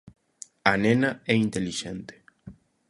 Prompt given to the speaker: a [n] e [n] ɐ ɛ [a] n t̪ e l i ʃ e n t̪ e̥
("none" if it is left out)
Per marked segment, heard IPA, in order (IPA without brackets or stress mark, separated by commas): n, n, i